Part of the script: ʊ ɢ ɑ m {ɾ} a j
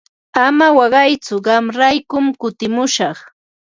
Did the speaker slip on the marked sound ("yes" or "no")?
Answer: no